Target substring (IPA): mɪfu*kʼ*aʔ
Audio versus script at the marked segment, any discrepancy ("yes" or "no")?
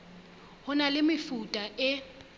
yes